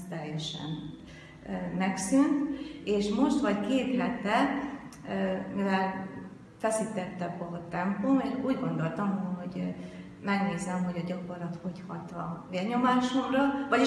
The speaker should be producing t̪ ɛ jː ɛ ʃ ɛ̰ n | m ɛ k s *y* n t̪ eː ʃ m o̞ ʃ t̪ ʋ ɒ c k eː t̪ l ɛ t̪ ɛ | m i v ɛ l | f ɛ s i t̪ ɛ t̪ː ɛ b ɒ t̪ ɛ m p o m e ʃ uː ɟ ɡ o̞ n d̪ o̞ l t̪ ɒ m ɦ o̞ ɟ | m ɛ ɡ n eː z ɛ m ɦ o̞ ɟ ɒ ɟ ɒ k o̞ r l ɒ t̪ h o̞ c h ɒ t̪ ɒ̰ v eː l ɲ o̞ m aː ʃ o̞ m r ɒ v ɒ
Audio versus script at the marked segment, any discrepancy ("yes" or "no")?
no